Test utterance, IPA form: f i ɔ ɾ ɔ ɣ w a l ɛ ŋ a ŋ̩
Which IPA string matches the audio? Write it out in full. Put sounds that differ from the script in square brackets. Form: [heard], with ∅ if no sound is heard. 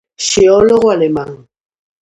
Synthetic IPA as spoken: [ʃ] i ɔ [l] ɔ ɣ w a l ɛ [m] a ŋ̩